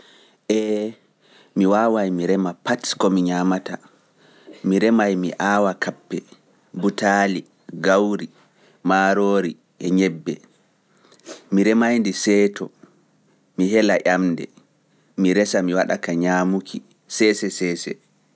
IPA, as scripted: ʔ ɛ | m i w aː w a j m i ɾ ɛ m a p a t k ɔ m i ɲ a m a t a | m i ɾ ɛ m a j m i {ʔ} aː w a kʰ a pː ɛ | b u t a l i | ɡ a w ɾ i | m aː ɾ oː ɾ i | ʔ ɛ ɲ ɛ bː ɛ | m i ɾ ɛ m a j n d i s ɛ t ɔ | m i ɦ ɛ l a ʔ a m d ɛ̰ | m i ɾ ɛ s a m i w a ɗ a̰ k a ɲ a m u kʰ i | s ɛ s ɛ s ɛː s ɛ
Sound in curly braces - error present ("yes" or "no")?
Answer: no